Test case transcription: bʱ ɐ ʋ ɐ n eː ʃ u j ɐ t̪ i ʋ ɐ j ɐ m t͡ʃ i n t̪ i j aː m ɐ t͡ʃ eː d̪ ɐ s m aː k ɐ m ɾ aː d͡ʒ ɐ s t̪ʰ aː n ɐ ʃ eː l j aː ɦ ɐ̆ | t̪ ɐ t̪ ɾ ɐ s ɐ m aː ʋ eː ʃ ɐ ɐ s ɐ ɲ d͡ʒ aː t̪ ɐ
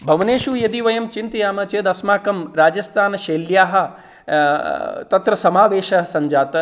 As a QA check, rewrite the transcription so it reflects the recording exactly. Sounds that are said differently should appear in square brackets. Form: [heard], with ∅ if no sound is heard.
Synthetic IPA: bʱ ɐ ʋ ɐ n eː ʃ u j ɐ [d̪] i ʋ ɐ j ɐ m t͡ʃ i n t̪ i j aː m ɐ t͡ʃ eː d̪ ɐ s m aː k ɐ m ɾ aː d͡ʒ ɐ s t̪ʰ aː n ɐ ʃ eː l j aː ɦ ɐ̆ | t̪ ɐ t̪ ɾ ɐ s ɐ m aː ʋ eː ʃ ɐ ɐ s ɐ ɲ d͡ʒ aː t̪ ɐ